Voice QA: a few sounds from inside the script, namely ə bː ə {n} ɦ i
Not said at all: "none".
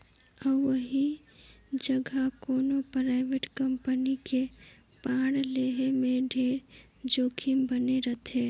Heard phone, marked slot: none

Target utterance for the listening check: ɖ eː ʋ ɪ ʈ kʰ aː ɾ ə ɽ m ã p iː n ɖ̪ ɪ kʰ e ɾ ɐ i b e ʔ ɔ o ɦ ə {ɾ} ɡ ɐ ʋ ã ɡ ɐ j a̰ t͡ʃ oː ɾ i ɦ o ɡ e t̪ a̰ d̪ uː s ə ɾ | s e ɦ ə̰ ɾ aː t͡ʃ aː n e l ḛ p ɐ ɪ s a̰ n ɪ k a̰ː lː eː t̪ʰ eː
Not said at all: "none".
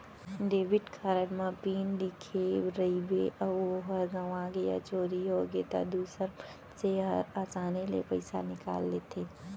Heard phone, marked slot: ɾ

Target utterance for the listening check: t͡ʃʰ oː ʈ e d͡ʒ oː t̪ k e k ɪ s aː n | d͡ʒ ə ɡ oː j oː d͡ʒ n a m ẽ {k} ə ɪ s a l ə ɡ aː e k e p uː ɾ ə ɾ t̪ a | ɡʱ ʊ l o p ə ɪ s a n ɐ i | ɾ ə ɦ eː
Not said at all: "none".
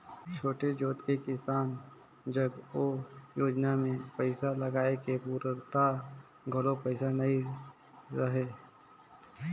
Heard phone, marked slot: p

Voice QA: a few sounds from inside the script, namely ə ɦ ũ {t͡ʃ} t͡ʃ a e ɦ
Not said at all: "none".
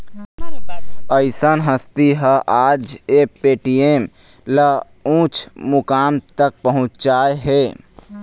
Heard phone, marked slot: t͡ʃ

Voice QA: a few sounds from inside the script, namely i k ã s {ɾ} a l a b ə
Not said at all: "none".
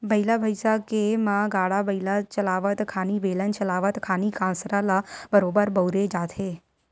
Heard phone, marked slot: ɾ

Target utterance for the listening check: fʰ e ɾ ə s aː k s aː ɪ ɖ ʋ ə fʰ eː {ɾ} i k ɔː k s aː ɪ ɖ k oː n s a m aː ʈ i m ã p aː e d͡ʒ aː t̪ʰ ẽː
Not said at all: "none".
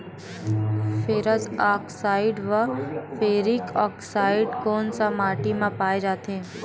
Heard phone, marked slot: ɾ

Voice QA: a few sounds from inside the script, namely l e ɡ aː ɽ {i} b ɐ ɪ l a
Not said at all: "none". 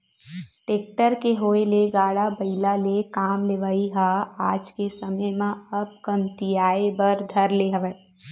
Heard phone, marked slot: a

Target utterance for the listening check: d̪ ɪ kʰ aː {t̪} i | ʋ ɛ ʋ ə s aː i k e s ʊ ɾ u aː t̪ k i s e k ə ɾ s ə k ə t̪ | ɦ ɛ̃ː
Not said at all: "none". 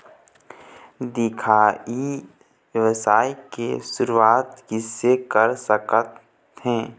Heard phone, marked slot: none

